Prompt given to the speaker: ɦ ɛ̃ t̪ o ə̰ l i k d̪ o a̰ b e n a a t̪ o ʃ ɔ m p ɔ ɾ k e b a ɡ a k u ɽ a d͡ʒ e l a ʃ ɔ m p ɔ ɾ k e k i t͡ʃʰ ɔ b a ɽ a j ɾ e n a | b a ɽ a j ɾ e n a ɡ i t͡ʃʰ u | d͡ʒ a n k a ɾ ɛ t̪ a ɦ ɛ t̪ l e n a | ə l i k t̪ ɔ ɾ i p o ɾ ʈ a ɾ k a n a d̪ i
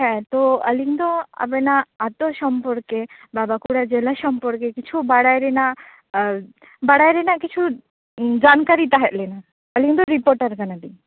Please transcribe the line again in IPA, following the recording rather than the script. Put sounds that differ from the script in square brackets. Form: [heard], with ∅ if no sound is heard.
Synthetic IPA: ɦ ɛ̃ t̪ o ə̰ l i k d̪ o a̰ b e n a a t̪ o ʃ ɔ m p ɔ ɾ k e b a [b] a k u ɽ a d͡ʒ e l a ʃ ɔ m p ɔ ɾ k e k i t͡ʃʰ [u] b a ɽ a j ɾ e n a | b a ɽ a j ɾ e n a [k] i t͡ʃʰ u | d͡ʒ a n k a ɾ [i] t̪ a ɦ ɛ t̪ l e n a | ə l i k [d̪] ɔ ɾ i p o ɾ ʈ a ɾ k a n a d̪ i